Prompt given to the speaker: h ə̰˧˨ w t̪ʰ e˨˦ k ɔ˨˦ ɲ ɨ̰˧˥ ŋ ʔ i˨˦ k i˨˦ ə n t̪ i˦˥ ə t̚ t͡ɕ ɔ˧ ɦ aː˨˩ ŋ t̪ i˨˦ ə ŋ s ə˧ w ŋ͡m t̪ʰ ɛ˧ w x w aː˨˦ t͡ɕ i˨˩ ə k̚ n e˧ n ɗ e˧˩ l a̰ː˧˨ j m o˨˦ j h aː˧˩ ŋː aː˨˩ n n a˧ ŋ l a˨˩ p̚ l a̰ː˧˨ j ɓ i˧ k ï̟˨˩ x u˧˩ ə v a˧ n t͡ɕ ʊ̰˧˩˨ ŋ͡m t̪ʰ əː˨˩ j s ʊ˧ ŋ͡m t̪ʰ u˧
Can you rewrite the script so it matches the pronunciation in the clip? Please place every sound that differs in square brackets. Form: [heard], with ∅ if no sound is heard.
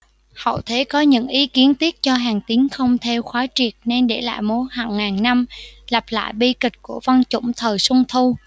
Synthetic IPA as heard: h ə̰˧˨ w t̪ʰ e˨˦ k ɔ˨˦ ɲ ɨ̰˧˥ ŋ ʔ i˨˦ k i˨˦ ə n t̪ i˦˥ ə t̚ t͡ɕ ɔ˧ ɦ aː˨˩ ŋ t̪ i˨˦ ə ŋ [x] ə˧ w ŋ͡m t̪ʰ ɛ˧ w x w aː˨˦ t͡ɕ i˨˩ ə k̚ n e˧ n ɗ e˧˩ l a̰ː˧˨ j m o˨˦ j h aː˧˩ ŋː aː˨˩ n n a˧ [m] l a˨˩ p̚ l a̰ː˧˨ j ɓ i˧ k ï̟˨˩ [k] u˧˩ ə v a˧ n t͡ɕ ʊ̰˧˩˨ ŋ͡m t̪ʰ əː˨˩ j s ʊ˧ ŋ͡m t̪ʰ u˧